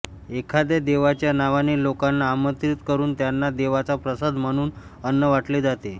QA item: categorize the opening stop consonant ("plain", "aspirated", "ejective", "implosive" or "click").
aspirated